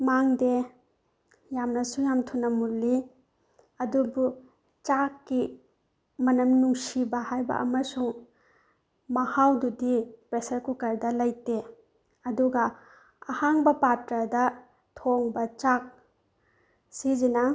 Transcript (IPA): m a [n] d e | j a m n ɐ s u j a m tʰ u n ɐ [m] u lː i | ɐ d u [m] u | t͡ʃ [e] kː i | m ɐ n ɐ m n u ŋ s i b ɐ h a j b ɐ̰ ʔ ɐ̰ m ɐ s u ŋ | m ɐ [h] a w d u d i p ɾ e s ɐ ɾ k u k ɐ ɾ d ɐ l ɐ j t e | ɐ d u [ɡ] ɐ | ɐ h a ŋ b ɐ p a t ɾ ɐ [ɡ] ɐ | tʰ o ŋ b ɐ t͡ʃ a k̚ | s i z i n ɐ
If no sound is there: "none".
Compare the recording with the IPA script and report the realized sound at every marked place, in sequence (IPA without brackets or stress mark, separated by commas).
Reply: ŋ, m, b, a, h, ɡ, d